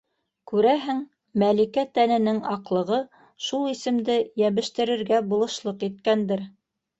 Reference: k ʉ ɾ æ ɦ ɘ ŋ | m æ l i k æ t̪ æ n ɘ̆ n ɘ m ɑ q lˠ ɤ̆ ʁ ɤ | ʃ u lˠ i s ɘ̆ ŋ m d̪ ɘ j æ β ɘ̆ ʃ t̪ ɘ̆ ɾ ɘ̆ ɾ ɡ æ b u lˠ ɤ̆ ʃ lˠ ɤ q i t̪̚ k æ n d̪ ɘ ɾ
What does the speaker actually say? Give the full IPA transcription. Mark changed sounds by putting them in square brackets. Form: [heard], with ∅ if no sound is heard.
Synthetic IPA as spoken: k ʉ ɾ æ ɦ ɘ ŋ | m æ l i k æ t̪ æ n ɘ̆ n ɘ [ŋ] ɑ q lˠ ɤ̆ ʁ ɤ | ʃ u lˠ i s ɘ̆ [∅] m d̪ ɘ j æ β ɘ̆ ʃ t̪ ɘ̆ ɾ ɘ̆ ɾ ɡ æ b u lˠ ɤ̆ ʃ lˠ ɤ q i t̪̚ k æ n d̪ ɘ ɾ